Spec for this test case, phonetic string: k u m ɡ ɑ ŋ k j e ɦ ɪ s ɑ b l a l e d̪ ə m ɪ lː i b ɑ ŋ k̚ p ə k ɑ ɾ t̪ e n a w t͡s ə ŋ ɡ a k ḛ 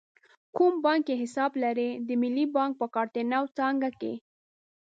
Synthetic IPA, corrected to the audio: k u m b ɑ ŋ k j e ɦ ɪ s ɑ b l a ɾ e d̪ ə m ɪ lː i b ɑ ŋ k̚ p ə k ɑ ɾ t̪ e n a w t͡s ɑ ŋ ɡ a k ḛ